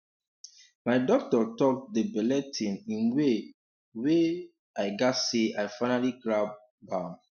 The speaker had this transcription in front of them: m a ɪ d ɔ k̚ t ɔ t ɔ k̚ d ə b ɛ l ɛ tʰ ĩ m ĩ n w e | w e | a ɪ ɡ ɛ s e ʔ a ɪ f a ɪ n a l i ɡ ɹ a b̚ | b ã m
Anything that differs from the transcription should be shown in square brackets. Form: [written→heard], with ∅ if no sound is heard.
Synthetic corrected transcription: m a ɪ d ɔ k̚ t ɔ t ɔ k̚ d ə b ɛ l ɛ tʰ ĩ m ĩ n w e | w e | a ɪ ɡ [ɛ→a] s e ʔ a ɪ f a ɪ n a l i ɡ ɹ a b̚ | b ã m